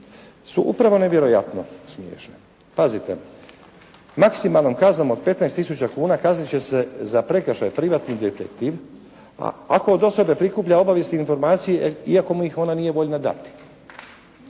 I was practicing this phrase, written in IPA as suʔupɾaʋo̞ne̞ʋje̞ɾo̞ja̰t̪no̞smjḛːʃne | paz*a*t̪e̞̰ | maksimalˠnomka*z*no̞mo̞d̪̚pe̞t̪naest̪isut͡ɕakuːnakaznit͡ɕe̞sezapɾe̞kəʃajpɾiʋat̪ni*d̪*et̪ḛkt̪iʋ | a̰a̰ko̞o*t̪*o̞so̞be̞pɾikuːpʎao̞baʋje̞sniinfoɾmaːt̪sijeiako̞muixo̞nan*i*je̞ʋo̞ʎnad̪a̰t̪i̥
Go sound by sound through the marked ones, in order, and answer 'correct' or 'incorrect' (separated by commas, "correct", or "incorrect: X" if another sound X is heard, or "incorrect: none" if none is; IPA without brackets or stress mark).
incorrect: i, correct, correct, incorrect: d̪, correct